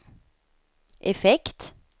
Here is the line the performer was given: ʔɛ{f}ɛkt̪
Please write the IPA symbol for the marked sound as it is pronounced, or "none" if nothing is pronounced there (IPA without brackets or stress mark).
f